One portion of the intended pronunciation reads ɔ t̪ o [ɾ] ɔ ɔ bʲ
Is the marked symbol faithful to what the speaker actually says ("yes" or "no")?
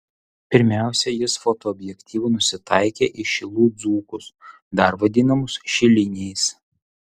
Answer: no